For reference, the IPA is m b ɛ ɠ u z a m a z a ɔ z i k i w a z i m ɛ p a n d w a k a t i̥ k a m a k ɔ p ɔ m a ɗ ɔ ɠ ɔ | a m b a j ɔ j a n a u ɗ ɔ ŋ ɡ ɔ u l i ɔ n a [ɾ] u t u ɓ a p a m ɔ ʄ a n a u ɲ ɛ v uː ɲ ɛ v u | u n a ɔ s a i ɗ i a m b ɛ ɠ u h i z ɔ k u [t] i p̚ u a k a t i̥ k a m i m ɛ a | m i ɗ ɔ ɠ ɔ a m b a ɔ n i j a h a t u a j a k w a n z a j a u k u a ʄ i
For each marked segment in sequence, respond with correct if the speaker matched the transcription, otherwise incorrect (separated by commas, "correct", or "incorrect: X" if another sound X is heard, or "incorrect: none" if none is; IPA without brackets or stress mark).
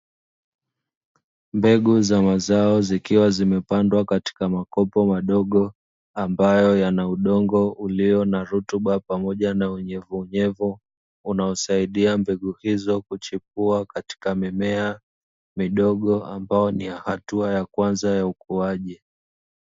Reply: correct, incorrect: t͡ʃ